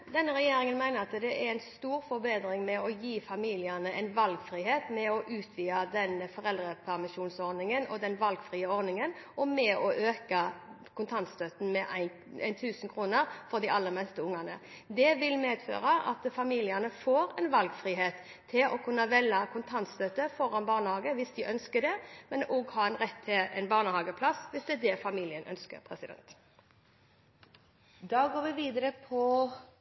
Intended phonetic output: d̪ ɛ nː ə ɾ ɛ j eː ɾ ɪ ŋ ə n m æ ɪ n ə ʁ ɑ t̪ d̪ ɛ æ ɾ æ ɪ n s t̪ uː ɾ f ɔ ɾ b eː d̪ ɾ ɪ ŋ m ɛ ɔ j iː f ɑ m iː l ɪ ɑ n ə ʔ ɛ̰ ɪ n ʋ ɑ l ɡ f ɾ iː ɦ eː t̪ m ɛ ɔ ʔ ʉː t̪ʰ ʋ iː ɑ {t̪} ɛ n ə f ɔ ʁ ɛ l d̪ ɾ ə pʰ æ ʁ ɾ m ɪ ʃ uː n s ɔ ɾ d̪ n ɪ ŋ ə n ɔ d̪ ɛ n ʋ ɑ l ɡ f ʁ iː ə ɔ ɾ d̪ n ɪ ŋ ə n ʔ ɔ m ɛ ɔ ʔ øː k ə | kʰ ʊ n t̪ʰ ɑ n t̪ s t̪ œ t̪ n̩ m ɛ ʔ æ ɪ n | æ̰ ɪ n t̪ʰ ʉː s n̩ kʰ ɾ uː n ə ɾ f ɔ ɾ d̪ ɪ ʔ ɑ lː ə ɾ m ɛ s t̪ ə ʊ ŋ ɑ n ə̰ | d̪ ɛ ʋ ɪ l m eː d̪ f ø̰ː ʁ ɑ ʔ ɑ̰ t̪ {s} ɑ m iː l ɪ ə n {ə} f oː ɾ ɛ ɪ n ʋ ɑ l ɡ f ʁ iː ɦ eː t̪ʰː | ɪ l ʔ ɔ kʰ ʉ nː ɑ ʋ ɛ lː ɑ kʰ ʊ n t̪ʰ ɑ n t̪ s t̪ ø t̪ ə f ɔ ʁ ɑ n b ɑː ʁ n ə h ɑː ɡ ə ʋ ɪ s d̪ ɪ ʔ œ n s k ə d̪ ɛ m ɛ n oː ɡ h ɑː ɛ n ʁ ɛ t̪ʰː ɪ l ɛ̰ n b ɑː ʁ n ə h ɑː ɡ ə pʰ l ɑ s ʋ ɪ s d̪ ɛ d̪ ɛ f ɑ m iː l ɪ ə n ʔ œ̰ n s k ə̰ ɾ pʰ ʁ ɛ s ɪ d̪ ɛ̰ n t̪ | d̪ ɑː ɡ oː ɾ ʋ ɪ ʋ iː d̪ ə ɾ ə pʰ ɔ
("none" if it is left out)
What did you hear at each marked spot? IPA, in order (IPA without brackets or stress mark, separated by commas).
d̪, f, ə